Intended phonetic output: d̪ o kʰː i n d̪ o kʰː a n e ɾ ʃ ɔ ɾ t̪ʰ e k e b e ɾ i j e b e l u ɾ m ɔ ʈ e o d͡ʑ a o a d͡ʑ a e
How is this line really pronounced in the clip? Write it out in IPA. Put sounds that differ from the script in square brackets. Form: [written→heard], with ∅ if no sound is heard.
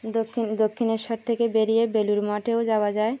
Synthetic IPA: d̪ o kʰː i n d̪ o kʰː [a→i] n e ɾ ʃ ɔ ɾ t̪ʰ e k e b e ɾ i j e b e l u ɾ m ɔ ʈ e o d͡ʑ a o a d͡ʑ a e